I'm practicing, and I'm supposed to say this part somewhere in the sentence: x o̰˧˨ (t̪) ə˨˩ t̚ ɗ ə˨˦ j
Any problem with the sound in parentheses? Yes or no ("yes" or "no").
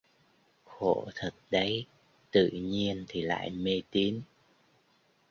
yes